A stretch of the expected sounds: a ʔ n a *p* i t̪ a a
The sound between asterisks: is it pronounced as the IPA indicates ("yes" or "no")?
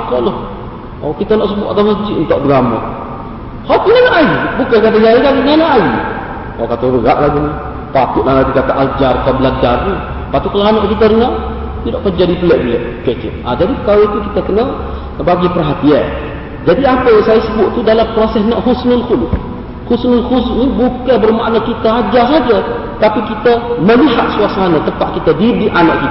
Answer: no